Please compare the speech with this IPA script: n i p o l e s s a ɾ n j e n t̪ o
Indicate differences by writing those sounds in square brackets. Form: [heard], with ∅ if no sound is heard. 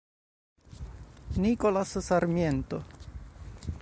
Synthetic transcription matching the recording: n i [k] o l [a] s s a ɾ [m] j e n t̪ o